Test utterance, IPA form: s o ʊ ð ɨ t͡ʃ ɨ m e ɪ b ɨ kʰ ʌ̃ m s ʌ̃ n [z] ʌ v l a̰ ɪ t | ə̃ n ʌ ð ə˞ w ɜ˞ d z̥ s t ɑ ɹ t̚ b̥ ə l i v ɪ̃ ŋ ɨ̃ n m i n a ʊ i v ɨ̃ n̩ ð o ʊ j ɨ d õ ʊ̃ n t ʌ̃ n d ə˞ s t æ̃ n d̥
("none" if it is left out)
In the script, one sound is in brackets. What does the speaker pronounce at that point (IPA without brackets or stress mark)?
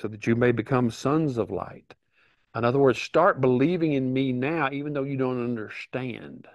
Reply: z